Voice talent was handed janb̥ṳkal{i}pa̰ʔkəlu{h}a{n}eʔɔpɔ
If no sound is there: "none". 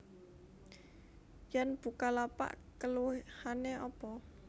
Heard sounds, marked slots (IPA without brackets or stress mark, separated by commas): a, h, n